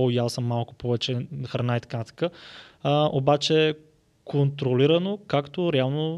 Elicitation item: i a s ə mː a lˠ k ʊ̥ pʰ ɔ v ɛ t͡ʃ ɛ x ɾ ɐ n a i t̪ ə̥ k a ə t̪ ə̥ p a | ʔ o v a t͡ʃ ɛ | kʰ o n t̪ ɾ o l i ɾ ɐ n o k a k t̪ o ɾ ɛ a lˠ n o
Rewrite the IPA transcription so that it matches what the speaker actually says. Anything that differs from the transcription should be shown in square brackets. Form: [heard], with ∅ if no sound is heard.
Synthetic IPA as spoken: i a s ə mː a lˠ k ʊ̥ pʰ ɔ v ɛ t͡ʃ ɛ x ɾ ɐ n a i t̪ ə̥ k a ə t̪ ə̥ [k] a | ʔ o [b] a t͡ʃ ɛ | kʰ o n t̪ ɾ o l i ɾ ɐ n o k a k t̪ o ɾ ɛ a lˠ n o